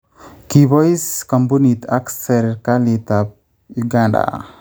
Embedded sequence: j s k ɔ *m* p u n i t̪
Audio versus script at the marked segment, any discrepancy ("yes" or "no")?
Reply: no